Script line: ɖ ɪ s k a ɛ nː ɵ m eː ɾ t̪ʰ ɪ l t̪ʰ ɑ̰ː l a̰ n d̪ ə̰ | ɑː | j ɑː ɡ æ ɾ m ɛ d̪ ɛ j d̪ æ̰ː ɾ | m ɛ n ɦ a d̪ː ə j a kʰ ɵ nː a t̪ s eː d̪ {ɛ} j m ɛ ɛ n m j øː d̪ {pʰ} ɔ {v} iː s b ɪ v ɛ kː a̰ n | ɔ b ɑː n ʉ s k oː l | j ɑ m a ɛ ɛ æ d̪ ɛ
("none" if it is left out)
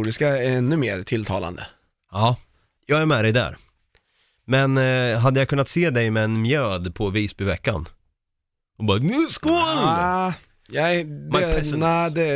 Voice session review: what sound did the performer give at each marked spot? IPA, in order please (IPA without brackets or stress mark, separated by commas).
ɛ, pʰ, v